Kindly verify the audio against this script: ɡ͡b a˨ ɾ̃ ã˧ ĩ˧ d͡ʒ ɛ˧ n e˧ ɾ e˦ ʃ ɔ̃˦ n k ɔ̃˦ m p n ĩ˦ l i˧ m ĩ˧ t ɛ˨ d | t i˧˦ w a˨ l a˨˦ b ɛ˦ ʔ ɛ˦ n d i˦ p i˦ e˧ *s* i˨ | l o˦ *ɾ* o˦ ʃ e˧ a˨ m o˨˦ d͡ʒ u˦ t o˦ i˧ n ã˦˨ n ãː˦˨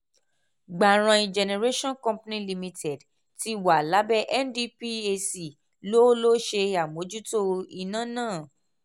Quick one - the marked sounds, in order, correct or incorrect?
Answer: correct, incorrect

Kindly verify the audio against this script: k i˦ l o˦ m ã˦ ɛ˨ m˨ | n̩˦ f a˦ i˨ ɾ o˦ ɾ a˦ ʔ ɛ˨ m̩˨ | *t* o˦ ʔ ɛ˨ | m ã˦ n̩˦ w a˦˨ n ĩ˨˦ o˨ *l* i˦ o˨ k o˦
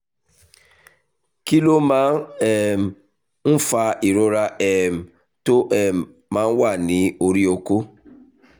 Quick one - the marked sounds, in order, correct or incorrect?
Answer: correct, incorrect

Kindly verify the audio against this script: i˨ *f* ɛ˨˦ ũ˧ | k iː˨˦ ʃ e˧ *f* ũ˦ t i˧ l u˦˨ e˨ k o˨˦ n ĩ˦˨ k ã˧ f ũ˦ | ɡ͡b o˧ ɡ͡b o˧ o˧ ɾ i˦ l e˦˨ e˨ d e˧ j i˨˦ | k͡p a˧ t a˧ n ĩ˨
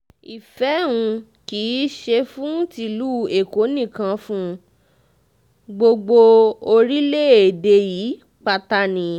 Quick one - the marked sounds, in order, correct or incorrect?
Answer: correct, correct

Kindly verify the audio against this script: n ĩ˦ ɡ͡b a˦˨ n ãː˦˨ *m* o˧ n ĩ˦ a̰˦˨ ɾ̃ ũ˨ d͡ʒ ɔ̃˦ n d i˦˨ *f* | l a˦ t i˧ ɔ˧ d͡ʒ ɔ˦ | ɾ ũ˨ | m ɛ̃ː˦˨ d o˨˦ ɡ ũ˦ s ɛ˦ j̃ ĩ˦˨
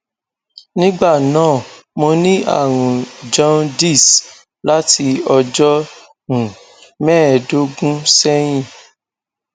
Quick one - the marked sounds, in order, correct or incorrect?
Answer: correct, incorrect

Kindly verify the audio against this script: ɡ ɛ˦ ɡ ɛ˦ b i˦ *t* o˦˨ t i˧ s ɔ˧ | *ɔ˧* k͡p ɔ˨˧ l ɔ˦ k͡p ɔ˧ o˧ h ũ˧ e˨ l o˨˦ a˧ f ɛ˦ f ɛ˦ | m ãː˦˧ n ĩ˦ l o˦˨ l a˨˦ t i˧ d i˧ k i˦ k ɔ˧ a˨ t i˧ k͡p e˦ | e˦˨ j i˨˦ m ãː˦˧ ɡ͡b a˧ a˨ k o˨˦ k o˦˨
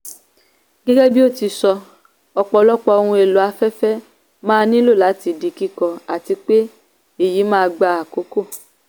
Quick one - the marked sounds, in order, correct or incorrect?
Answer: incorrect, correct

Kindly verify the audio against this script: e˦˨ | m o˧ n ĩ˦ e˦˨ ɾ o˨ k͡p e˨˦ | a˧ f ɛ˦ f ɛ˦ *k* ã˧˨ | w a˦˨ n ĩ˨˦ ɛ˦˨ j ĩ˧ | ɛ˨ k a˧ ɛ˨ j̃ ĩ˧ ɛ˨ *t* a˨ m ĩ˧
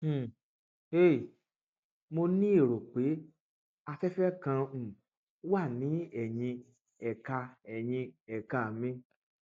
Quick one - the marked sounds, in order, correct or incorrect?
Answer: correct, incorrect

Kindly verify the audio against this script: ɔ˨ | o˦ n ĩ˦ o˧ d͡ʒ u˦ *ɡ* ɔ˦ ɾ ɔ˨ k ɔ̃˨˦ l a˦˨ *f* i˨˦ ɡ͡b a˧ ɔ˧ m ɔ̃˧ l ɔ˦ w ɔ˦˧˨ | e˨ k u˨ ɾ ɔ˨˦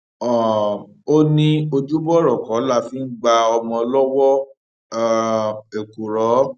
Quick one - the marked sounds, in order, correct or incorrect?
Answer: incorrect, correct

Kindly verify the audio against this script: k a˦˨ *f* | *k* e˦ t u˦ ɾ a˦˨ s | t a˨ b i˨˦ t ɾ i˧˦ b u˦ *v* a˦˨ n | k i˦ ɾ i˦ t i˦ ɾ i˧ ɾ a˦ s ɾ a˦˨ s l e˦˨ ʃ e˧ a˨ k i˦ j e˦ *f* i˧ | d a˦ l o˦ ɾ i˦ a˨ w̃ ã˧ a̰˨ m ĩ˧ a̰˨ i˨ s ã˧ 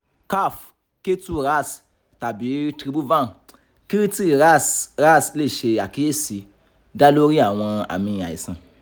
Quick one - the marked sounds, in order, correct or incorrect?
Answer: correct, correct, correct, incorrect

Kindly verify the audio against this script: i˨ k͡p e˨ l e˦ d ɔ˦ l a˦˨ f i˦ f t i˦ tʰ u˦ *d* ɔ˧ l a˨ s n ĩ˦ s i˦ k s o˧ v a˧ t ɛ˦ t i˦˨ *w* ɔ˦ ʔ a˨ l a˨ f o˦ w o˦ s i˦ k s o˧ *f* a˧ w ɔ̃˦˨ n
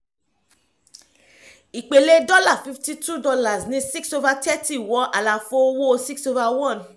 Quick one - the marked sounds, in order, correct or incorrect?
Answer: correct, correct, incorrect

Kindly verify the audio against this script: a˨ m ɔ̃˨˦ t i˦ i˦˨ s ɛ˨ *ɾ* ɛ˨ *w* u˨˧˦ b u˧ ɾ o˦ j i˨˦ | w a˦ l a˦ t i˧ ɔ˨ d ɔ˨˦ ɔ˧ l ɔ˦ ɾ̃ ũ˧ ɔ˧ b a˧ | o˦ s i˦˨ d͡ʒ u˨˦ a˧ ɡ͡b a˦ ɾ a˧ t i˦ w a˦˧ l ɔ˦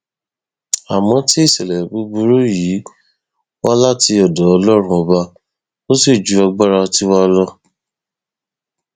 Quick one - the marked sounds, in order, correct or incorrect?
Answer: incorrect, incorrect

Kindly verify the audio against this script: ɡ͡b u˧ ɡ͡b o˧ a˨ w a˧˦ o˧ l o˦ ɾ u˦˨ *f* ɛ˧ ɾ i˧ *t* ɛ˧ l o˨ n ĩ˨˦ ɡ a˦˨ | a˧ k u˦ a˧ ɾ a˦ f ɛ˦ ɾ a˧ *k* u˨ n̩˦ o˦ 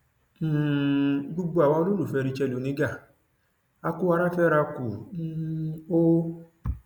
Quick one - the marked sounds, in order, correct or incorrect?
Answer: correct, incorrect, correct

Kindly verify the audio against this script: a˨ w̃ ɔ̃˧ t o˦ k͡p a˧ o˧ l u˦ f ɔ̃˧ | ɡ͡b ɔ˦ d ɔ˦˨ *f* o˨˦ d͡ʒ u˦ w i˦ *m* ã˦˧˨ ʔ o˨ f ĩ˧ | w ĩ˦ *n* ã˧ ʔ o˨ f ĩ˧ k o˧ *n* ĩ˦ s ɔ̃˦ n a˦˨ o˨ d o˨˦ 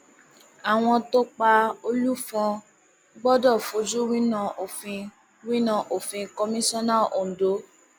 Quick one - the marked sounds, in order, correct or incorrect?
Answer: correct, incorrect, correct, incorrect

